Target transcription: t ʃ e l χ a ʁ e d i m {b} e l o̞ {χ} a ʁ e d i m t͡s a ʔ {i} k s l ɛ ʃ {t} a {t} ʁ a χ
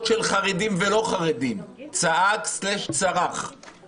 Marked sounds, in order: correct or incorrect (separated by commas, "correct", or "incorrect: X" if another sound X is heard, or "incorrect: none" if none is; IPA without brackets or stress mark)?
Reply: incorrect: v, correct, incorrect: a, incorrect: t͡s, incorrect: none